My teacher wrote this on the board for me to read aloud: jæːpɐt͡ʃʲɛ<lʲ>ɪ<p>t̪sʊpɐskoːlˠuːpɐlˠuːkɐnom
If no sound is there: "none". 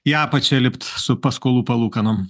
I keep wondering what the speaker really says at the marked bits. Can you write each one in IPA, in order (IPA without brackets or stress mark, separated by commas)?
lʲ, p